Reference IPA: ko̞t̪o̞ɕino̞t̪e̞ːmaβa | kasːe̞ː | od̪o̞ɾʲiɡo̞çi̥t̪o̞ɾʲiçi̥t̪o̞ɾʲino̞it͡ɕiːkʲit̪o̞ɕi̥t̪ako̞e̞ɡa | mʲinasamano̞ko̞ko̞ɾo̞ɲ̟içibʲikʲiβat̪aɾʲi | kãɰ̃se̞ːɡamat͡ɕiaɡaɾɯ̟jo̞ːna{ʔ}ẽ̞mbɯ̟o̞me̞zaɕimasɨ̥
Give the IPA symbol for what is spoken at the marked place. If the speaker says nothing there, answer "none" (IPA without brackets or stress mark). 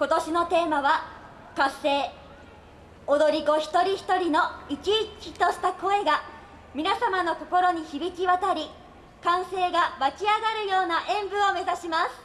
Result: ʔ